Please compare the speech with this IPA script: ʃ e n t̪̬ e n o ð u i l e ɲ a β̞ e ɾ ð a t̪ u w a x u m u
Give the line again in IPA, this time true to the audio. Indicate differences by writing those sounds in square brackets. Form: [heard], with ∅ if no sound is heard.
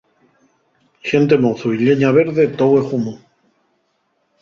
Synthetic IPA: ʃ e n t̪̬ e [m] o [θ] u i [ʎ] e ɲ a β̞ e ɾ ð [e] t̪ [o] w [e] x u m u